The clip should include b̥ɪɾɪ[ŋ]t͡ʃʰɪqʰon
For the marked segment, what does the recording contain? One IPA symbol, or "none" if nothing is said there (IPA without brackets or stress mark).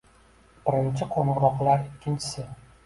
n